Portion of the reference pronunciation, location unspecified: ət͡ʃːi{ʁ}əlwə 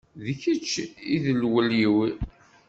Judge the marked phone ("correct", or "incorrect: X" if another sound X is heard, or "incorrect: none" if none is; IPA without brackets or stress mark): incorrect: ð